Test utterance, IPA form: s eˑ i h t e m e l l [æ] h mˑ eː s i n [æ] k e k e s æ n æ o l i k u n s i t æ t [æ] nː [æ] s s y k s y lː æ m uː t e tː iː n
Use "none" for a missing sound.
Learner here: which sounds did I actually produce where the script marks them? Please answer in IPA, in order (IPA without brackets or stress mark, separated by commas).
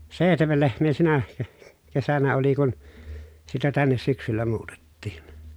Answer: e, æ, æ, e